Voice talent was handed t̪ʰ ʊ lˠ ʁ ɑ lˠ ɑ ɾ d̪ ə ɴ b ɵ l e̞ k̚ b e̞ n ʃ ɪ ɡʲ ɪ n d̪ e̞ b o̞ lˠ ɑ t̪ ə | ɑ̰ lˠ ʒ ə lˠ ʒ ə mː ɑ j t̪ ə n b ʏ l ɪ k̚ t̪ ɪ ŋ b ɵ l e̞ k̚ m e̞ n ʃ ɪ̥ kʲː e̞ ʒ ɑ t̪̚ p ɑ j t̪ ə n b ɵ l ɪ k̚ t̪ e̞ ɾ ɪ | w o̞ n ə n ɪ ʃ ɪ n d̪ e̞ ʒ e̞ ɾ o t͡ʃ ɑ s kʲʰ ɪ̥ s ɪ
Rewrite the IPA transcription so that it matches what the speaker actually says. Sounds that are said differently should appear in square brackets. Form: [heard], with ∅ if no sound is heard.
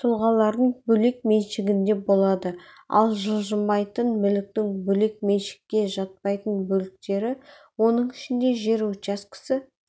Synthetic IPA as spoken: t̪ʰ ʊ lˠ ʁ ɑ lˠ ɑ ɾ d̪ ə ɴ b ɵ l e̞ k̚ [m] e̞ n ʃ ɪ ɡʲ ɪ n d̪ e̞ b o̞ lˠ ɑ [d̪] ə | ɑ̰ lˠ ʒ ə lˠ ʒ ə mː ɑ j t̪ ə n [m] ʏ l ɪ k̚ t̪ ɪ ŋ b ɵ l e̞ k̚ m e̞ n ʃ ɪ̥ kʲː e̞ ʒ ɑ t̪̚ p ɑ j t̪ ə n b ɵ l ɪ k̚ t̪ e̞ ɾ ɪ | w o̞ n ə [ɴ] ɪ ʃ ɪ n d̪ e̞ ʒ e̞ ɾ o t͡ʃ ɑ s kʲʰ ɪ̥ s ɪ